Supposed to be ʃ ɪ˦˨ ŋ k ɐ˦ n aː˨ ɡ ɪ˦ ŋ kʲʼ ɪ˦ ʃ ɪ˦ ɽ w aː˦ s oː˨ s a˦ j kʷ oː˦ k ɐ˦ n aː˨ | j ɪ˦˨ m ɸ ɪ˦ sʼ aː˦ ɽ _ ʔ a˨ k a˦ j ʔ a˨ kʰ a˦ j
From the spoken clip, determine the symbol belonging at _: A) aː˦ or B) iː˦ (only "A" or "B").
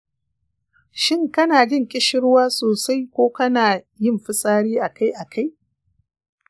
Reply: B